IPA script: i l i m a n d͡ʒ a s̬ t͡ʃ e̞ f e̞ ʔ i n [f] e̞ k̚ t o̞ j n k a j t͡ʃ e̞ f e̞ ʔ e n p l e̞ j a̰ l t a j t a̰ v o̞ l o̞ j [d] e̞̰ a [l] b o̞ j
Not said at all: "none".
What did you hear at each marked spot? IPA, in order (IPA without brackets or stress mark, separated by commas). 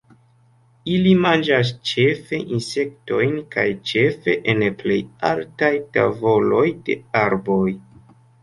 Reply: s, d, ɾ